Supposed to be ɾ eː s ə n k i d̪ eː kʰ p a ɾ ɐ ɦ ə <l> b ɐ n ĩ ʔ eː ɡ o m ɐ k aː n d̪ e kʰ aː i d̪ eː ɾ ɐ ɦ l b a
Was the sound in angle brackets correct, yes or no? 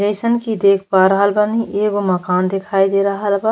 yes